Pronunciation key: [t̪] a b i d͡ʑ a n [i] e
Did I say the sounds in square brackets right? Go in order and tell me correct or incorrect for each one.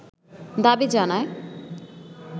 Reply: incorrect, incorrect

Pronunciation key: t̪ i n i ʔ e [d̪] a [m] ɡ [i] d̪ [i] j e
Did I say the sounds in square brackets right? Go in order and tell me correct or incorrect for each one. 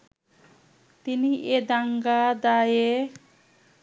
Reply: correct, incorrect, incorrect, incorrect

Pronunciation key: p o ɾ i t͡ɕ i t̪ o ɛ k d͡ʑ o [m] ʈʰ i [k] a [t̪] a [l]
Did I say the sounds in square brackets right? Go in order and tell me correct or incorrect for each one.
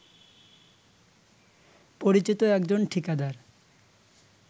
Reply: incorrect, correct, incorrect, incorrect

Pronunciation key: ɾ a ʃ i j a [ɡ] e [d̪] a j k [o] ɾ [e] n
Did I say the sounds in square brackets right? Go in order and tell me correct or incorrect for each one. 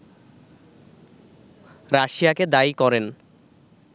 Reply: incorrect, correct, incorrect, correct

